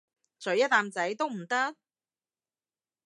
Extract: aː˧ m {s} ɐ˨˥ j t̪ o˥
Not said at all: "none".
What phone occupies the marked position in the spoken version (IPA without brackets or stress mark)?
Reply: t͡s